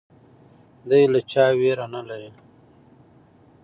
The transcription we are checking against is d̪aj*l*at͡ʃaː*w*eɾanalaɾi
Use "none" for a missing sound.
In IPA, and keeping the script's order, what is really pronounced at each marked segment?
l, w

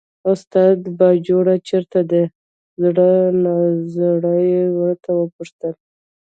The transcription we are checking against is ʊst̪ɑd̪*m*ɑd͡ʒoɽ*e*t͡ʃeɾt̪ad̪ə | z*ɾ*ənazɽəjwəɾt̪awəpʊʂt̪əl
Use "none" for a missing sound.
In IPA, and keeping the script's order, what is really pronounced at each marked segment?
b, a, ɽ

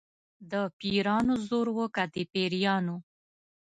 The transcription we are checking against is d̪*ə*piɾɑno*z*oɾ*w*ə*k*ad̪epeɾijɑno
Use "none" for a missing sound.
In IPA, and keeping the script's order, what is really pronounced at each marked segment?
ə, z, w, k

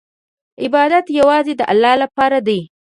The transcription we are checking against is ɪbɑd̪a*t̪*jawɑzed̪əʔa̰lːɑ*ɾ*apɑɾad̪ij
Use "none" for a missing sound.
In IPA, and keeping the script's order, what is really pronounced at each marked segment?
t̪, l

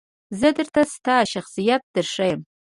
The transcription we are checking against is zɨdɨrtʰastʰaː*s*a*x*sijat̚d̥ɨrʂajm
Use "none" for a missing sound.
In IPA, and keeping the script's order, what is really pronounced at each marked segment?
ʃ, χ

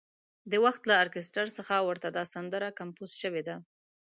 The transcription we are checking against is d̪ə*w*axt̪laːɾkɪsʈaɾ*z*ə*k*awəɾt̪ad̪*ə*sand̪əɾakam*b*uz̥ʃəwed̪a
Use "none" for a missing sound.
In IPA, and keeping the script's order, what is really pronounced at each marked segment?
w, s, x, ɑ, p

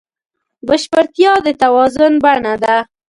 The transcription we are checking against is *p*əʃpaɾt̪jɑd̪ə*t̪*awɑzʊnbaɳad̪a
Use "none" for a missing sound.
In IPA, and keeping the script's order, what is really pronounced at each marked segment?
b, t̪

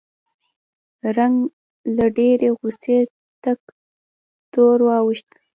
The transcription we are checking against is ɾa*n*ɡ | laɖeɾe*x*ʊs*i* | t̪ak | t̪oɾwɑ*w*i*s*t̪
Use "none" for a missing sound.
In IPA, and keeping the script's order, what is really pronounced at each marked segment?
ŋ, ɣ, e, w, ʃ

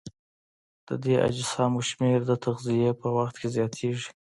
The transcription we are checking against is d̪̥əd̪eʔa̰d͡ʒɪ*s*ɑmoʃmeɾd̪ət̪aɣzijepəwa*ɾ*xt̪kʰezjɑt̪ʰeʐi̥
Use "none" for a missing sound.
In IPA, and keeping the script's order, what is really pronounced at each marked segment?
s, none

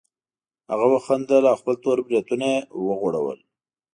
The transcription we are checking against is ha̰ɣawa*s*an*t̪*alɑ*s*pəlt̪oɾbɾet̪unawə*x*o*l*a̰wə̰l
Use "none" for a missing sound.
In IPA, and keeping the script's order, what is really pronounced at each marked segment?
x, d̪, x, ɣ, ɽ

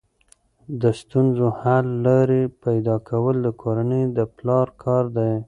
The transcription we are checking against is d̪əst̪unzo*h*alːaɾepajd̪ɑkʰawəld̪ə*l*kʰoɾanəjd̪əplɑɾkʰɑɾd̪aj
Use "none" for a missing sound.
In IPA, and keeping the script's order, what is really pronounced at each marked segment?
h, none

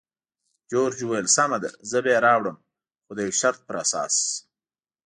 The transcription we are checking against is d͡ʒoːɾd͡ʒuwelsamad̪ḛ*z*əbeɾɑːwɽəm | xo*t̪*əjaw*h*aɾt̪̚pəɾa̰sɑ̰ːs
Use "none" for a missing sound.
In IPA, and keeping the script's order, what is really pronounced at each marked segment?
z, d̪, ʃ

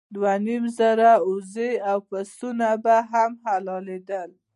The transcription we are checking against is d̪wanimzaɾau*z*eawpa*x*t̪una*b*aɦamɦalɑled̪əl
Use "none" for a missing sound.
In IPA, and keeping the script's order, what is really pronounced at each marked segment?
z, s, b

